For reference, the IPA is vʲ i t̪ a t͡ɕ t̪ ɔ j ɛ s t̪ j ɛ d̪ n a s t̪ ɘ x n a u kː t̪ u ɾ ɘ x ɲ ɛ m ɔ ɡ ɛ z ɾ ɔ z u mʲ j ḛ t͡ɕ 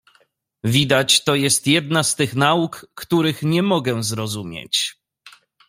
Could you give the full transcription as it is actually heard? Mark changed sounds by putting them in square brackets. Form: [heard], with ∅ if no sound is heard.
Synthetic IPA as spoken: vʲ i [d̪] a t͡ɕ t̪ ɔ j ɛ s t̪ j ɛ d̪ n a s t̪ ɘ x n a u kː t̪ u ɾ ɘ x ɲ ɛ m ɔ ɡ ɛ z ɾ ɔ z u mʲ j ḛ t͡ɕ